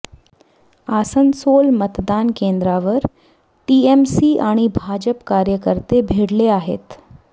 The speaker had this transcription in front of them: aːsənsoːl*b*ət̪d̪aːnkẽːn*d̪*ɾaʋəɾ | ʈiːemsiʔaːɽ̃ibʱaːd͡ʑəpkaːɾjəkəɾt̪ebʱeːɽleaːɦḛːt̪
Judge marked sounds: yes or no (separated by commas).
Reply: no, yes